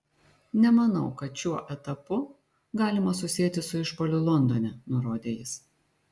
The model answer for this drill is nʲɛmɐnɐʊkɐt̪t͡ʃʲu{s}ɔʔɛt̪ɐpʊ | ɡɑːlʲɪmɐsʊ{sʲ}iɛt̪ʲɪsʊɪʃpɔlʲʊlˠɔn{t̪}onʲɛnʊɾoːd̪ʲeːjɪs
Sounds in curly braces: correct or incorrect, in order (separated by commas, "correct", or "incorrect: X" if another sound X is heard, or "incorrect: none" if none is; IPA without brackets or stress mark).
incorrect: none, correct, incorrect: d̪